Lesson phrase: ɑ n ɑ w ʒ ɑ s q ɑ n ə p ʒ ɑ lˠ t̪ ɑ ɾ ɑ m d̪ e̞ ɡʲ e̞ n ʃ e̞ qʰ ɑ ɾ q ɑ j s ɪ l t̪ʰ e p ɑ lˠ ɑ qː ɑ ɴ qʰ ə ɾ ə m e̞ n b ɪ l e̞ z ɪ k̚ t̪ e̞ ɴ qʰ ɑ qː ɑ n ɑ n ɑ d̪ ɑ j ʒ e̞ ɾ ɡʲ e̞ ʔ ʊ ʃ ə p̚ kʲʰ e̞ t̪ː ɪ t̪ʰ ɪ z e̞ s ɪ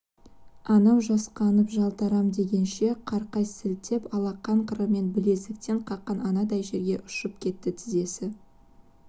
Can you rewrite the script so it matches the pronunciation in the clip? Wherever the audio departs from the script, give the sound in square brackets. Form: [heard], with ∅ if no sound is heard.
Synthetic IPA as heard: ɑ n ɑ w ʒ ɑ s q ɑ n ə p ʒ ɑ lˠ t̪ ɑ ɾ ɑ m d̪ e̞ ɡʲ e̞ n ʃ e̞ qʰ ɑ ɾ q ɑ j s ɪ l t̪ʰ e p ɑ lˠ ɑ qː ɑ ɴ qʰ ə ɾ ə m e̞ n b ɪ l e̞ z ɪ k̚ t̪ e̞ ɴ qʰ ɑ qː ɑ n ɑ n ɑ d̪ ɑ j ʒ e̞ ɾ ɡʲ e̞ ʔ ʊ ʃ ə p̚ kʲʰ e̞ t̪ː ɪ t̪ʰ ɪ z e̞ s ɪ

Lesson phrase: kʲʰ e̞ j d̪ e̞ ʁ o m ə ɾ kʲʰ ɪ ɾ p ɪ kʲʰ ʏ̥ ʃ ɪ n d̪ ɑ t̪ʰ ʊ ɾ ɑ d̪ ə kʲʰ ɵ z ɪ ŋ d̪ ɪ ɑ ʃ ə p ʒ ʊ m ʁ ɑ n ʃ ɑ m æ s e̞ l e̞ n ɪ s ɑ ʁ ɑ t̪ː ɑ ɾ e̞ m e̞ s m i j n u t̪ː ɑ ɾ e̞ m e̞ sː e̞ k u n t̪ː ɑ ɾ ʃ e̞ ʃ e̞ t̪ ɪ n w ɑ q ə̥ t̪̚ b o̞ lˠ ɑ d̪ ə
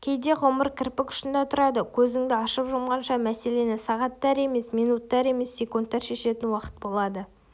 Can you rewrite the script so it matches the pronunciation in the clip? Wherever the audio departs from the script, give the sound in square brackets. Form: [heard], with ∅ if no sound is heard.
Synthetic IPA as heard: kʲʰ e̞ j d̪ e̞ ʁ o m ə ɾ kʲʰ ɪ ɾ p ɪ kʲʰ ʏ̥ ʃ ɪ n d̪ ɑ t̪ʰ ʊ ɾ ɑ d̪ ə kʲʰ ɵ z ɪ ŋ d̪ ɪ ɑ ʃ ə p ʒ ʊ m ʁ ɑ n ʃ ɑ m æ s e̞ l e̞ n ɪ s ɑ ʁ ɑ t̪ː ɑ ɾ e̞ m e̞ s m i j n u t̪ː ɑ ɾ e̞ m e̞ sː e̞ k u n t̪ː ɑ ɾ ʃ e̞ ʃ e̞ t̪ ɪ n w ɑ q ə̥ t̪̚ b o̞ lˠ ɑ d̪ ə

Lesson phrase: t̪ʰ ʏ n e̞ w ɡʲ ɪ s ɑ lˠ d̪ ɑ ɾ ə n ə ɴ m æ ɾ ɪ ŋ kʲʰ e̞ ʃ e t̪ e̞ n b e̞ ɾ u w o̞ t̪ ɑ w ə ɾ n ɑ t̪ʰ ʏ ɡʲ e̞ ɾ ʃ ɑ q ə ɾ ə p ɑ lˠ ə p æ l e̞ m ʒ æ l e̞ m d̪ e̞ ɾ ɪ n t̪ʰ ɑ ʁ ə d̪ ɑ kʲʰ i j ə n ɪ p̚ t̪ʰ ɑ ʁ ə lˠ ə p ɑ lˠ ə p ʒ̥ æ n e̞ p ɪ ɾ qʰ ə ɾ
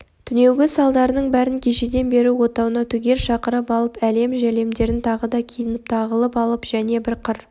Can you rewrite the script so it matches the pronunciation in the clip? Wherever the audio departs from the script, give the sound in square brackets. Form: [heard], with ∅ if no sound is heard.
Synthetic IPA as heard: t̪ʰ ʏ n e̞ w ɡʲ ɪ s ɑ lˠ d̪ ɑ ɾ ə n ə ɴ [b] æ ɾ ɪ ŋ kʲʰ e̞ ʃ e [d̪] e̞ n b e̞ ɾ u w o̞ t̪ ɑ w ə [∅] n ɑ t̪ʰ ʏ ɡʲ e̞ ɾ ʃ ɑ q ə ɾ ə p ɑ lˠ ə p æ l e̞ m ʒ æ l e̞ m d̪ e̞ ɾ ɪ n t̪ʰ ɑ ʁ ə d̪ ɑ kʲʰ i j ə n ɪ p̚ t̪ʰ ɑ ʁ ə lˠ ə p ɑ lˠ ə p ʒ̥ æ n e̞ [b] ɪ ɾ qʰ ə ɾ

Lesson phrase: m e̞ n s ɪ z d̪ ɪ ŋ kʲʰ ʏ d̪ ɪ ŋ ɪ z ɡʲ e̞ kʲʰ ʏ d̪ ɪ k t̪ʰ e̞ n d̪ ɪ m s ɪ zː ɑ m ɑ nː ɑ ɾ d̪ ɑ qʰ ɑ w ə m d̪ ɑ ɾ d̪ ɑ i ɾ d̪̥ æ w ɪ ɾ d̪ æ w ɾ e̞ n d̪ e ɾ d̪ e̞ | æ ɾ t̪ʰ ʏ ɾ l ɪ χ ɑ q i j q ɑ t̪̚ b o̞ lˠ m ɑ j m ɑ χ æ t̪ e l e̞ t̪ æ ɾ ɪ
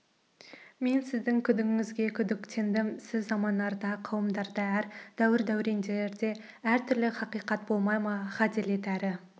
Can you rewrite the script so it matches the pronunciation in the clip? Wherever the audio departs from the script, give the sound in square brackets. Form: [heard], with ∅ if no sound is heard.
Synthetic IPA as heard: m e̞ n s ɪ z d̪ ɪ ŋ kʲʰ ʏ d̪ ɪ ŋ ɪ z ɡʲ e̞ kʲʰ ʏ d̪ ɪ k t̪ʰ e̞ n d̪ ɪ m s ɪ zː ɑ m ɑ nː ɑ ɾ d̪ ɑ qʰ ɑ w ə m d̪ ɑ ɾ d̪ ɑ [æ] ɾ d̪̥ æ w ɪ ɾ d̪ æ w ɾ e̞ n d̪ e ɾ d̪ e̞ | æ ɾ t̪ʰ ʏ ɾ l ɪ χ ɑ q i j q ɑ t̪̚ b o̞ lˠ m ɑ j m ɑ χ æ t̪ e l e̞ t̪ æ ɾ ɪ

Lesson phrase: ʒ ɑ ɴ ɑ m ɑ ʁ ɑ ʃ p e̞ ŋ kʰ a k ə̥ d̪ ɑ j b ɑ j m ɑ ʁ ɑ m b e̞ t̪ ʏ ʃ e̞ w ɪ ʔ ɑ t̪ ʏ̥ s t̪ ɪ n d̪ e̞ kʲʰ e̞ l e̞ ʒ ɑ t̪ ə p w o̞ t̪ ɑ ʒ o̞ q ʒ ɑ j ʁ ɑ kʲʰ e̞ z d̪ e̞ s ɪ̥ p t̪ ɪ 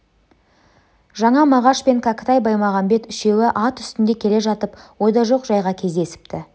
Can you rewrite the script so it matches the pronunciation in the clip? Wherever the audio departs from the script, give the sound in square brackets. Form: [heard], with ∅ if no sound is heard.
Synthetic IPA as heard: ʒ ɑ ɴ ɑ m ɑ ʁ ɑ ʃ p e̞ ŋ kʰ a k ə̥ [t̪] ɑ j b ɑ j m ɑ ʁ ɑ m b e̞ t̪ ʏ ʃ e̞ w ɪ ʔ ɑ t̪ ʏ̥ s t̪ ɪ n d̪ e̞ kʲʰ e̞ l e̞ ʒ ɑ t̪ ə p w o̞ [d̪] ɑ ʒ o̞ q ʒ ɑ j ʁ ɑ kʲʰ e̞ z d̪ e̞ s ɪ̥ p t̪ ɪ

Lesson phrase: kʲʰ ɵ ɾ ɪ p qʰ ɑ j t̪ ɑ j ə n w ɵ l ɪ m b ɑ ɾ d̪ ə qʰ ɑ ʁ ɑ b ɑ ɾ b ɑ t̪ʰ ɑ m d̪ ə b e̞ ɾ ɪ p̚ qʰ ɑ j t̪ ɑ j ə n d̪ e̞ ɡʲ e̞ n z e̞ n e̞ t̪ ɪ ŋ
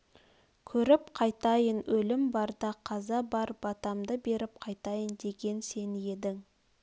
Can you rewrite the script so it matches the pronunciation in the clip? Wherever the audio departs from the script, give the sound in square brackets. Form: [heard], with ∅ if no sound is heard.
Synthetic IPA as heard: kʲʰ ɵ ɾ ɪ p qʰ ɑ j t̪ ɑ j ə n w ɵ l ɪ m b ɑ ɾ d̪ [ɑ] qʰ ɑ [z] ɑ b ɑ ɾ b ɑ [t̪] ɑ m d̪ ə b e̞ ɾ ɪ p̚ qʰ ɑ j t̪ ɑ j ə n d̪ e̞ ɡʲ e̞ n [s] e̞ n e̞ [d̪] ɪ ŋ

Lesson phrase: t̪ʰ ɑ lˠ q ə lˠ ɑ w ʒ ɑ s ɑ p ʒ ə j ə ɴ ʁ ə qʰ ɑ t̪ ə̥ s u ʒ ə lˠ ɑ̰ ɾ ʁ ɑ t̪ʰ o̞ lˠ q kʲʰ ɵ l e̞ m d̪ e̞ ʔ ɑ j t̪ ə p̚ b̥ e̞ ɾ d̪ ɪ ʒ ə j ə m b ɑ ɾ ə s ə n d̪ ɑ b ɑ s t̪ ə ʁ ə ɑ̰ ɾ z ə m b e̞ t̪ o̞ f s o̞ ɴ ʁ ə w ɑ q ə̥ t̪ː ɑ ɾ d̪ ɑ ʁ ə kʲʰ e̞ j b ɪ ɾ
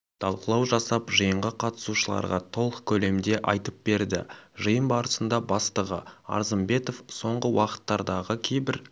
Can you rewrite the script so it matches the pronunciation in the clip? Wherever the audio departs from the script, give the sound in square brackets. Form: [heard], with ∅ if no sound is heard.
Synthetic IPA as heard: t̪ʰ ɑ lˠ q ə lˠ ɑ w ʒ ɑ s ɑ p ʒ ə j ə ɴ ʁ ə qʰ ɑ t̪ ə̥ s u [ʃ] ə lˠ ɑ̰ ɾ ʁ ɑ t̪ʰ o̞ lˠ q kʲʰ ɵ l e̞ m d̪ e̞ ʔ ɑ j t̪ ə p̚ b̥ e̞ ɾ d̪ ɪ ʒ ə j ə m b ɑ ɾ ə s ə n d̪ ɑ b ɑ s t̪ ə ʁ ə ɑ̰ ɾ z ə m b e̞ t̪ o̞ f s o̞ ɴ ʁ ə w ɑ q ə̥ t̪ː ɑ ɾ d̪ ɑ ʁ ə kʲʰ e̞ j b ɪ ɾ

